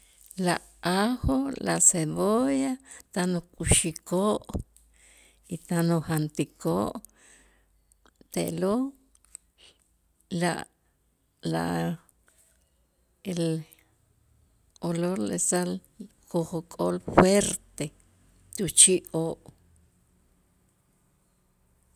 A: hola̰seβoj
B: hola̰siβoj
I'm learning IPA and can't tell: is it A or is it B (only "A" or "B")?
A